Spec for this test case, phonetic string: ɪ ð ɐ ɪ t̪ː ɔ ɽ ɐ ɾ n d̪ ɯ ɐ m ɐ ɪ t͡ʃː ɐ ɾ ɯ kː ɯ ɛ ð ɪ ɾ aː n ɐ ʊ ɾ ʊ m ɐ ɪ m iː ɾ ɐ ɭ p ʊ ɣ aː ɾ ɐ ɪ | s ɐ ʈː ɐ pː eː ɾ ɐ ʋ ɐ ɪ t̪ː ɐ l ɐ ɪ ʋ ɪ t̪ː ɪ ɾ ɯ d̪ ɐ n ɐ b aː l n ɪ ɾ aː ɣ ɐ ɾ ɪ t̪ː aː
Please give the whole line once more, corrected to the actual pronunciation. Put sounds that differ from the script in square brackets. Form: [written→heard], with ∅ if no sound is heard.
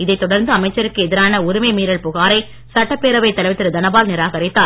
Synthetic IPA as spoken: ɪ ð ɐ ɪ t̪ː ɔ ɽ ɐ ɾ n d̪ ɯ ɐ m ɐ ɪ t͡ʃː ɐ ɾ ɯ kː ɯ ɛ ð ɪ ɾ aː n ɐ ʊ ɾ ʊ m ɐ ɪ m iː ɾ ɐ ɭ p ʊ ɣ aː ɾ ɐ ɪ | s ɐ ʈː ɐ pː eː ɾ ɐ ʋ ɐ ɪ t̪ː ɐ l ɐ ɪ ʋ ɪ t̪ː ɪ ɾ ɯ d̪ ɐ n ɐ b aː l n ɪ ɾ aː ɣ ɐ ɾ ɪ t̪ː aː